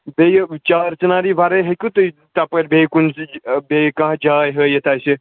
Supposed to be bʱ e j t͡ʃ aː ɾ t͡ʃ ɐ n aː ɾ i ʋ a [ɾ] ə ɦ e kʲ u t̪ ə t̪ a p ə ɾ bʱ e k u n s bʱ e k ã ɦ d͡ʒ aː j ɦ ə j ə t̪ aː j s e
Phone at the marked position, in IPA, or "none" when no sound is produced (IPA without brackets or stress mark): ɾ